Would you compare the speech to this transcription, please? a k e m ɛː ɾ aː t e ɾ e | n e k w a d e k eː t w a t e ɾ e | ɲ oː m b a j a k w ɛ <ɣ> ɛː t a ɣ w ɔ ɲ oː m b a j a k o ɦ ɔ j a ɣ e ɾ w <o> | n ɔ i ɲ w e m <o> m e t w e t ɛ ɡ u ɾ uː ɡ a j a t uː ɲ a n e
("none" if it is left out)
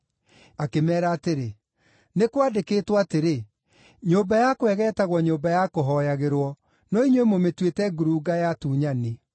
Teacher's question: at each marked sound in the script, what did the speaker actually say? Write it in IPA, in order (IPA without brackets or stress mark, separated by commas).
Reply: ɣ, ɔ, o